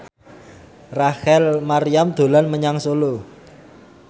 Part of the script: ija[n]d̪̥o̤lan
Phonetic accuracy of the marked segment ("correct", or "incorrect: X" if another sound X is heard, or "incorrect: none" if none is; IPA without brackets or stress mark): incorrect: m